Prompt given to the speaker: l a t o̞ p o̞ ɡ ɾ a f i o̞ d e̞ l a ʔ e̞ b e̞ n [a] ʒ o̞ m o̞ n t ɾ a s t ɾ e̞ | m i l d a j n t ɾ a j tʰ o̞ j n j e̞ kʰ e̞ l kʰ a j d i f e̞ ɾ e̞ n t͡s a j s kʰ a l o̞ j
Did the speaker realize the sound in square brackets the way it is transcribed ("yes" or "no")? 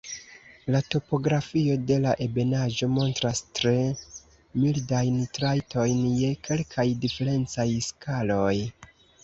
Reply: yes